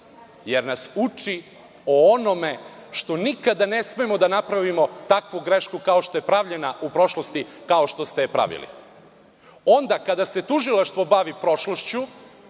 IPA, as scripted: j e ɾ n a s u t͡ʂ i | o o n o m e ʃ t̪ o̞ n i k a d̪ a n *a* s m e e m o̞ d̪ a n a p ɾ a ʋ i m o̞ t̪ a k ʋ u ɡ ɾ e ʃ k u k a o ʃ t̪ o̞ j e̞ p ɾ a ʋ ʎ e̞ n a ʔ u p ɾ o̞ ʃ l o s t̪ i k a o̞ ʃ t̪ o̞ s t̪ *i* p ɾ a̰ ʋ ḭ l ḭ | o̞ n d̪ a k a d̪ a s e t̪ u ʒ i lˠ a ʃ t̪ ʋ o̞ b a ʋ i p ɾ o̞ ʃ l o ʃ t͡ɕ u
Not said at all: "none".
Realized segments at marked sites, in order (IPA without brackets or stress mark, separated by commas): e, e